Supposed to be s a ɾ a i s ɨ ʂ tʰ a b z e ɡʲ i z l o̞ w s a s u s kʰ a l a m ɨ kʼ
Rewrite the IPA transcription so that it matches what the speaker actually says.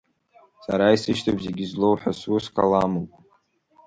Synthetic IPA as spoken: s a ɾ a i s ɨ ʃ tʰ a b z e ɡʲ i z l o̞ w ħ a s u s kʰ a l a m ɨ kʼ